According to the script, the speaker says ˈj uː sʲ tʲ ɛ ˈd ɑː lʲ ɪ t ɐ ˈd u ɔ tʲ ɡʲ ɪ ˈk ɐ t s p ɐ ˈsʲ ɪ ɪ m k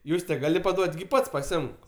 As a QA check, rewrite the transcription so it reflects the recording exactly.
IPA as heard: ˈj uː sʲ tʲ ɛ ˈɡ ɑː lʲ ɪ p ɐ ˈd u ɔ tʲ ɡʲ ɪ ˈp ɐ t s p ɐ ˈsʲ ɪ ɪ m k